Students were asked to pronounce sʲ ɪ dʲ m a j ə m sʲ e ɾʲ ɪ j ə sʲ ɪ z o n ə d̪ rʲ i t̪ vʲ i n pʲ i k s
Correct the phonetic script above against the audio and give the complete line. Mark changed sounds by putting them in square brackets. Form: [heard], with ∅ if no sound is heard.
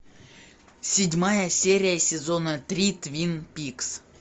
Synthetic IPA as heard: sʲ ɪ dʲ m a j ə [∅] sʲ e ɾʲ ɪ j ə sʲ ɪ z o n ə [t̪] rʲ i t̪ vʲ i n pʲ i k s